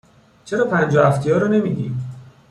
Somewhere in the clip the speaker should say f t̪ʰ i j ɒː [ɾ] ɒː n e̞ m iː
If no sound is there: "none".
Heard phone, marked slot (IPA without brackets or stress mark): ɾ